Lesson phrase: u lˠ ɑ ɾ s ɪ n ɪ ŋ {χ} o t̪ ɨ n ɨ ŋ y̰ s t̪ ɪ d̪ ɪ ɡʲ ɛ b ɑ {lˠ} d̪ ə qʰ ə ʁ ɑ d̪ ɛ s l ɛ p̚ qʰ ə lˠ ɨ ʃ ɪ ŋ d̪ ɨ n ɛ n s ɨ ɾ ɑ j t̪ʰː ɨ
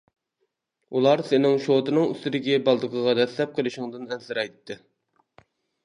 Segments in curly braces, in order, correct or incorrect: incorrect: ʃ, correct

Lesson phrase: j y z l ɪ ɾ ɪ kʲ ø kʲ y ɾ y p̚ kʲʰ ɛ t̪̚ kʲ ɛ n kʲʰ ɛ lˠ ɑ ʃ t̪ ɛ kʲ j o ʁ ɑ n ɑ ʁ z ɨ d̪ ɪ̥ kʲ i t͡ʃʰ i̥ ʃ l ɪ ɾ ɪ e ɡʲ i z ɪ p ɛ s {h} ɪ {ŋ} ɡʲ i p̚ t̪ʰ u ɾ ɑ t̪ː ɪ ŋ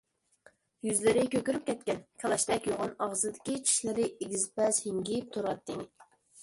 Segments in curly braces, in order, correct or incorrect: correct, correct

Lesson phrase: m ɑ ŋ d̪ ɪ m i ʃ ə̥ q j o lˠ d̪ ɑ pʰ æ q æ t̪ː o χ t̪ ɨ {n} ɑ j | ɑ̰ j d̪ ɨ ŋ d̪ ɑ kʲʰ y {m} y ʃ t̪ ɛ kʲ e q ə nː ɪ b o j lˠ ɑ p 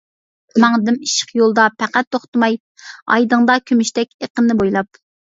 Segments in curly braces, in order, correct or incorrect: incorrect: m, correct

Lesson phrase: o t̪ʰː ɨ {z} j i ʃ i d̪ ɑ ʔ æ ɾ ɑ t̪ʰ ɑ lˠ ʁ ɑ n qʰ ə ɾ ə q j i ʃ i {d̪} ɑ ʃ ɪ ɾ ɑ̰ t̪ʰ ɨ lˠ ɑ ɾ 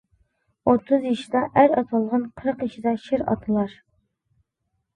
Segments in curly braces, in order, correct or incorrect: correct, correct

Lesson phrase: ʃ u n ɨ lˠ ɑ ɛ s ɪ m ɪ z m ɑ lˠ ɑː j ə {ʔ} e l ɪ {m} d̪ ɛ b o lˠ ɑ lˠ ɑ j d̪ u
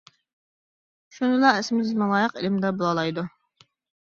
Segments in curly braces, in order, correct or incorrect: incorrect: q, correct

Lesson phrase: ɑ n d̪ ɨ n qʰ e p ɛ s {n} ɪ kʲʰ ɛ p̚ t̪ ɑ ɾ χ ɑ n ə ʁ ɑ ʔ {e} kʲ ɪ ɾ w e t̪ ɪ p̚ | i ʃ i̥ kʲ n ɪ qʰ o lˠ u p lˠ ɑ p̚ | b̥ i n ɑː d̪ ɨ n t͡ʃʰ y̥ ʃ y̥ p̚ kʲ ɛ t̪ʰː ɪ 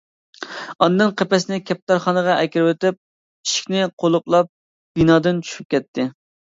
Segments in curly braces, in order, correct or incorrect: correct, incorrect: ɛ

